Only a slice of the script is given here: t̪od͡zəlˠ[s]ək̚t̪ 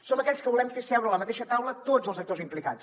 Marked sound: incorrect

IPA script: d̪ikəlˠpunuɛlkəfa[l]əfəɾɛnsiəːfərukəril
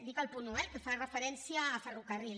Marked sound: incorrect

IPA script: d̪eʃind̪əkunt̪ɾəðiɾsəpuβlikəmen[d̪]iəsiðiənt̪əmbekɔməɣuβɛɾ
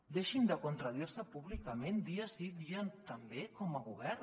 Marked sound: correct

